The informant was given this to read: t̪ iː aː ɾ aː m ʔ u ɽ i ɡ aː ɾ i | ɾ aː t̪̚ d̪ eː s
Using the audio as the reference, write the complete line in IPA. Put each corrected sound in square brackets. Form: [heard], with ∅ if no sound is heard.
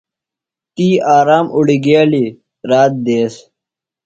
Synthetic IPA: t̪ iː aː ɾ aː m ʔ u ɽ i ɡ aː [l] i | ɾ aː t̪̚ d̪ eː s

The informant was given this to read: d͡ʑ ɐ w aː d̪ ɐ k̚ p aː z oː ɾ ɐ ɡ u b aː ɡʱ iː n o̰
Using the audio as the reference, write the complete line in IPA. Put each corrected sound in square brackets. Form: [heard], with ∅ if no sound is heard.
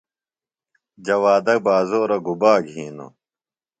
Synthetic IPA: d͡ʑ ɐ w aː d̪ ɐ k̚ [b] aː z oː ɾ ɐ ɡ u b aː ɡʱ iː n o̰

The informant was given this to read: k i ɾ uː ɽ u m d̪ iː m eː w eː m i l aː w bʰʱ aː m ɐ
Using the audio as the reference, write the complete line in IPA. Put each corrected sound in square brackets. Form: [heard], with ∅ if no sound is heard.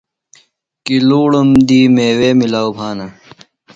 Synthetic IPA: k i [l] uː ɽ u m d̪ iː m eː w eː m i l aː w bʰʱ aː [n] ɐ

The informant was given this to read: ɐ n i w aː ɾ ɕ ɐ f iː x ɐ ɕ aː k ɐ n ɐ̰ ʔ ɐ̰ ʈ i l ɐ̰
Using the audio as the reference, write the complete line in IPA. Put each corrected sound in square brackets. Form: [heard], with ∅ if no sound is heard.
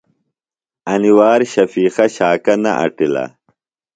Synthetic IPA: ɐ n i w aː ɾ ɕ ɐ f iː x ɐ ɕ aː k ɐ n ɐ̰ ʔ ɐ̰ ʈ i l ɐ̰

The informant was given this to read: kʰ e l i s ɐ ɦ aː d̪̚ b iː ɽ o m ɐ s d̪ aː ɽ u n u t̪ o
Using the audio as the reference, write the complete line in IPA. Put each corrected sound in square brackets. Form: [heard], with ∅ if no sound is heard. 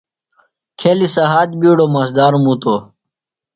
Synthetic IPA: kʰ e l i s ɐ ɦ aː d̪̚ b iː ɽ o m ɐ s d̪ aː [ɾ] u [m] u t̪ o

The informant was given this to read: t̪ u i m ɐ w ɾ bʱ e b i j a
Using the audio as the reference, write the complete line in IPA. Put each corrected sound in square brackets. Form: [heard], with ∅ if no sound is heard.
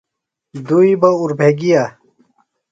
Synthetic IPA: [d̪] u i [b] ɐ [u] ɾ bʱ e [ɡ] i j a

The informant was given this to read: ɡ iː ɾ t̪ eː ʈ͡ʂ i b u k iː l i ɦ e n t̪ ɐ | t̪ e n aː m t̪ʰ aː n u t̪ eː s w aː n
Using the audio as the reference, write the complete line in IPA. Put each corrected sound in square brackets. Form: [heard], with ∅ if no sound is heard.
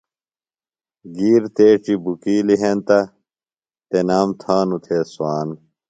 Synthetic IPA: ɡ iː ɾ t̪ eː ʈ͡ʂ i b u k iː l i ɦ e n t̪ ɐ | t̪ e n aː m t̪ʰ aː n u [t̪ʰ] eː s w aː n

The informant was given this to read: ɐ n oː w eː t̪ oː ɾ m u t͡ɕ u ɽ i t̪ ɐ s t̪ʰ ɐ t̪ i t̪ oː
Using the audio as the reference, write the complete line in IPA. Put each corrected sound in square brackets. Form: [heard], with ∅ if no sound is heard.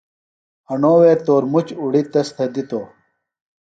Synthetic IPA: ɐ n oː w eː t̪ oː ɾ m u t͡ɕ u ɽ i t̪ ɐ s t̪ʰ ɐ [d̪] i t̪ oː

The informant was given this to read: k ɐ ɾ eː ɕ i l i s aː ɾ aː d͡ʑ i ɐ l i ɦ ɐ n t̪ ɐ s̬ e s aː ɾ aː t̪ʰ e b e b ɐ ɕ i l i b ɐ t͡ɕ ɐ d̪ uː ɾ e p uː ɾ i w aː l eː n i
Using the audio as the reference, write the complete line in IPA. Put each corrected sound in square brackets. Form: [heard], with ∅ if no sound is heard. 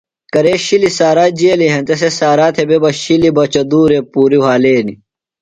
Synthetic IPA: k ɐ ɾ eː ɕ i l i s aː ɾ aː d͡ʑ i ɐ l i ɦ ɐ n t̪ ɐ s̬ e s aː ɾ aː t̪ʰ e b e b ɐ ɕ i l i b ɐ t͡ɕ ɐ d̪ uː ɾ e p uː ɾ i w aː l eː n i

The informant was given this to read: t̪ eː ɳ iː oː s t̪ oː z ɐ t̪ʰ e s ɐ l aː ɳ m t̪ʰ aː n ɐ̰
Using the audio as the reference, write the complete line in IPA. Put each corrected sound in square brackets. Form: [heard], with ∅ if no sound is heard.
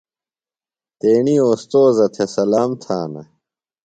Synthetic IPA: t̪ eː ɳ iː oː s t̪ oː z ɐ t̪ʰ e s ɐ l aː [∅] m t̪ʰ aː n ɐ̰

